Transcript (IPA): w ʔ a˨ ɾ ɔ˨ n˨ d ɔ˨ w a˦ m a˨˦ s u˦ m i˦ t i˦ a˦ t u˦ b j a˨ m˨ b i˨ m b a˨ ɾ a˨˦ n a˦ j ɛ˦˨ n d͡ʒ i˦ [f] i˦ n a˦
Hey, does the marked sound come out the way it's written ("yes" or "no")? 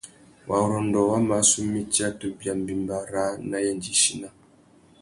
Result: no